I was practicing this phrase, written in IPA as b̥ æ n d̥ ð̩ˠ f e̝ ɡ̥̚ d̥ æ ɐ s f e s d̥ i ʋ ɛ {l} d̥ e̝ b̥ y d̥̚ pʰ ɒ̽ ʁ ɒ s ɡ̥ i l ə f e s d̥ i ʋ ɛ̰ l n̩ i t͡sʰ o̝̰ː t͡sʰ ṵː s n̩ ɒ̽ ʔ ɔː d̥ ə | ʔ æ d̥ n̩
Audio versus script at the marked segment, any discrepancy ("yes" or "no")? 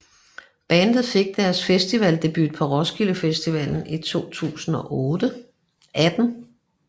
no